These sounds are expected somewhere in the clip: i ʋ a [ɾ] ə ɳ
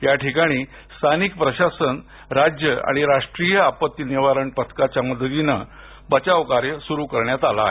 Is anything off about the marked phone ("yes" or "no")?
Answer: no